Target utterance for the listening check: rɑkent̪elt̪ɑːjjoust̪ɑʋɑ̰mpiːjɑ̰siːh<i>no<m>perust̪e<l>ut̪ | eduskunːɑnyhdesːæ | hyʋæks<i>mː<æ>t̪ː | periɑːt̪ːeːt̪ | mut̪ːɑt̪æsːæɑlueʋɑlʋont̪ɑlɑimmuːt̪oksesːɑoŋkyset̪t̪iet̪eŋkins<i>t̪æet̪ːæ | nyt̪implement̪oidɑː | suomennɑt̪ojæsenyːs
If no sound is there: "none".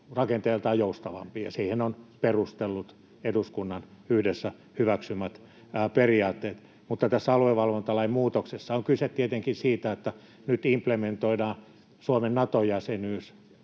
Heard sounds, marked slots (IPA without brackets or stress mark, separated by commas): e, n, lː, y, æ, iː